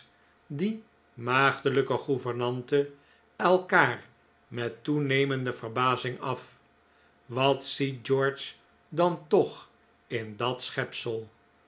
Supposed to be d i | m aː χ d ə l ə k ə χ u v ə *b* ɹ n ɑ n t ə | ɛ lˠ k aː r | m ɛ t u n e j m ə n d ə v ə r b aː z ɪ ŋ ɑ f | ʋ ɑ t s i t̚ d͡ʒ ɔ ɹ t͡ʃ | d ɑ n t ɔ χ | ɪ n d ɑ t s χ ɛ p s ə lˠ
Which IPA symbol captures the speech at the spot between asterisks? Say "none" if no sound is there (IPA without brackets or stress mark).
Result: none